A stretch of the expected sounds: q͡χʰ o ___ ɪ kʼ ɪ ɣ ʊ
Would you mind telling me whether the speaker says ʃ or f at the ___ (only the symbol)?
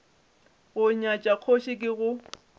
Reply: ʃ